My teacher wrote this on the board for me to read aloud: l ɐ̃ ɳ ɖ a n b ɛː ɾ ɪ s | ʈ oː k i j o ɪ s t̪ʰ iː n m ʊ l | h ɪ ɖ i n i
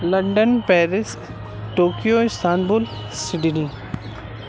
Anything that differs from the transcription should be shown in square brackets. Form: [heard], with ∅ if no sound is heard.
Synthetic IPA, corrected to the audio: l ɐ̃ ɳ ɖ [ə] n [p] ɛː ɾ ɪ s | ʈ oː k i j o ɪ s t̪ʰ [aː] n [b] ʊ l | [s] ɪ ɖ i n i